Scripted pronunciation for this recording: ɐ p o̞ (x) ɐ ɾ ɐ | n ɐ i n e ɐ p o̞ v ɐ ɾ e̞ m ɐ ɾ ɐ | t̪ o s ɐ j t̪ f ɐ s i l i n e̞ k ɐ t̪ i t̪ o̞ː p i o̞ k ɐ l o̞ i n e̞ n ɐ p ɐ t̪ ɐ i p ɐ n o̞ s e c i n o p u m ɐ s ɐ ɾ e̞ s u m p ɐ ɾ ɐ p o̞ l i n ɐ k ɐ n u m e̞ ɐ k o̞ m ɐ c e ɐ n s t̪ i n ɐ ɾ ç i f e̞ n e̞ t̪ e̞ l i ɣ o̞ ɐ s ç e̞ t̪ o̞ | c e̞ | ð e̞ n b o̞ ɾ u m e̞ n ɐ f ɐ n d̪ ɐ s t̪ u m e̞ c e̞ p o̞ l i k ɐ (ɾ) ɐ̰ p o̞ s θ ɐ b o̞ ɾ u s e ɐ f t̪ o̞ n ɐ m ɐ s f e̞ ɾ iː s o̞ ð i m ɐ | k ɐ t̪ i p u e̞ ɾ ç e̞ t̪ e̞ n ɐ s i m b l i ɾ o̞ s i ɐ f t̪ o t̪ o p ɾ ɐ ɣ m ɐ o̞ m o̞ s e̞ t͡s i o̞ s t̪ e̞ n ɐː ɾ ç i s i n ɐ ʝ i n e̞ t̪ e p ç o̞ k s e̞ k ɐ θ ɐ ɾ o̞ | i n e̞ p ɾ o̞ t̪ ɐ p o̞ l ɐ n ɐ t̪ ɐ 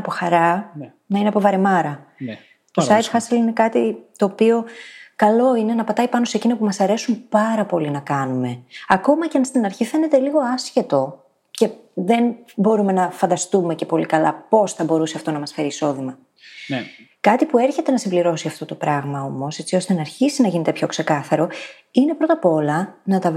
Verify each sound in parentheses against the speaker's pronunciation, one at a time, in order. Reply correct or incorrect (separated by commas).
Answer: correct, incorrect